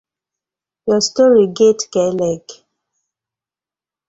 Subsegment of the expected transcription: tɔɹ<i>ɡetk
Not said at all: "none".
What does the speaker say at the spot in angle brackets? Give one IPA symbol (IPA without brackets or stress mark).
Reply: i